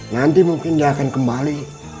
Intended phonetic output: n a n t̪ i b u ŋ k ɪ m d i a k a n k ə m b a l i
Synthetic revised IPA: n a n t̪ i m u ŋ k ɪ n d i a k a n k ə m b a l i